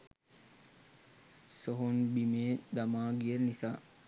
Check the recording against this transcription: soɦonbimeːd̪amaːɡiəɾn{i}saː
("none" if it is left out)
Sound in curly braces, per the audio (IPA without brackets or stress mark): i